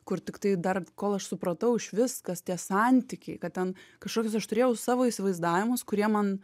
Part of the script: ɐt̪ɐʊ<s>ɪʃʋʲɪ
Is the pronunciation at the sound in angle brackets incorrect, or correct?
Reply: incorrect